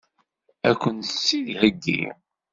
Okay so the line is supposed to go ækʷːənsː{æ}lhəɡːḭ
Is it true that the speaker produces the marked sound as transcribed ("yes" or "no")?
no